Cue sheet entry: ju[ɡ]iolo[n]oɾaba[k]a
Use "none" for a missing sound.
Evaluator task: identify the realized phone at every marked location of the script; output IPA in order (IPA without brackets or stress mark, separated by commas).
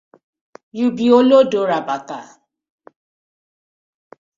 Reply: b, d, k